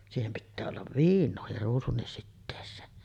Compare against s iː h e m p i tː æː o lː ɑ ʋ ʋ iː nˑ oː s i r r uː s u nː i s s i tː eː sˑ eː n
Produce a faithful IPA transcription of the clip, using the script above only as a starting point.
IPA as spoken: s iː h e m p i tː æː o lː ɑ ʋ ʋ iː nˑ oː h i r r uː s u nː i s s i tː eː sˑ eː n